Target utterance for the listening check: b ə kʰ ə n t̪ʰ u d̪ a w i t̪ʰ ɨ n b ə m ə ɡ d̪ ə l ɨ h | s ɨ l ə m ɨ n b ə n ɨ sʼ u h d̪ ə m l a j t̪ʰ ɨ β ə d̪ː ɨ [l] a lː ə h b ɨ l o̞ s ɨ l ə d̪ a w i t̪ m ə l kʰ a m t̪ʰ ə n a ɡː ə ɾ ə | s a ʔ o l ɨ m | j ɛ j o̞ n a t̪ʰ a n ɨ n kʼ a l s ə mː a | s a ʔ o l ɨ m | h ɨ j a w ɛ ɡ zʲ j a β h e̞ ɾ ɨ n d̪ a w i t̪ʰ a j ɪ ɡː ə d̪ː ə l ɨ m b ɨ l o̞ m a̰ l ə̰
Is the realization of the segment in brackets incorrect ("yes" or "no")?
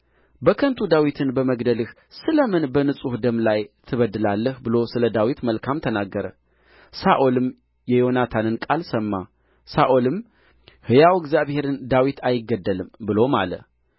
no